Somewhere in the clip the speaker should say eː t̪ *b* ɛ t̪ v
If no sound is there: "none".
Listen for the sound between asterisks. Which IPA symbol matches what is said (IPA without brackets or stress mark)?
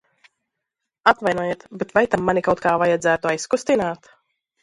b